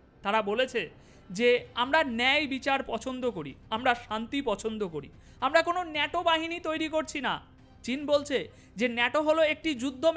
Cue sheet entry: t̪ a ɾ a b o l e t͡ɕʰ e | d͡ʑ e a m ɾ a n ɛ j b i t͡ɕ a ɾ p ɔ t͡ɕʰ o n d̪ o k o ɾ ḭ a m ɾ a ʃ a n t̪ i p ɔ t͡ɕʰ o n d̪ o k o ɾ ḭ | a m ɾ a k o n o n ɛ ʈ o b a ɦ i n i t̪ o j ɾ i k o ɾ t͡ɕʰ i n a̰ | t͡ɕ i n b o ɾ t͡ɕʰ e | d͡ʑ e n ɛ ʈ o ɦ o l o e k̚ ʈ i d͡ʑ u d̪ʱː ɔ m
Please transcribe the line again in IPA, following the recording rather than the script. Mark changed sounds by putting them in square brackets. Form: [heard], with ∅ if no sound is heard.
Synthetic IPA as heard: t̪ a ɾ a b o l e t͡ɕʰ e | d͡ʑ e a m ɾ a n ɛ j b i t͡ɕ a ɾ p ɔ t͡ɕʰ o n d̪ o k o ɾ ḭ a m ɾ a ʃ a n t̪ i p ɔ t͡ɕʰ o n d̪ o k o ɾ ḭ | a m ɾ a k o n o n ɛ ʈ o b a ɦ i n i t̪ o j ɾ i k o ɾ t͡ɕʰ i n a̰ | t͡ɕ i n b o [l] t͡ɕʰ e | d͡ʑ e n ɛ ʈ o ɦ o l o e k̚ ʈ i d͡ʑ u d̪ʱː [o] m